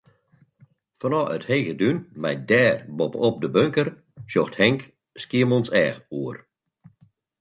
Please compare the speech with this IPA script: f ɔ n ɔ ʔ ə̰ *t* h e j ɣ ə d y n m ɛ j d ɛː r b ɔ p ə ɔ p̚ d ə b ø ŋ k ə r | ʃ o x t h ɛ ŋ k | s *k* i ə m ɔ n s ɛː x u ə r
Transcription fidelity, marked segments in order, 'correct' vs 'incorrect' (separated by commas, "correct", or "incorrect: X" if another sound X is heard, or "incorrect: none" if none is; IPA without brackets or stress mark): correct, correct